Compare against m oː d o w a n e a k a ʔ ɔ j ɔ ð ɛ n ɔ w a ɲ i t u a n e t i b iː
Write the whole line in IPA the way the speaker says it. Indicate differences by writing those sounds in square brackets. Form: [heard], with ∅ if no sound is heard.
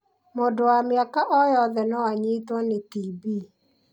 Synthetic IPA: m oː d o w a [m] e a k a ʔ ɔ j ɔ ð ɛ n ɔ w a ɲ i t [w] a n e t i b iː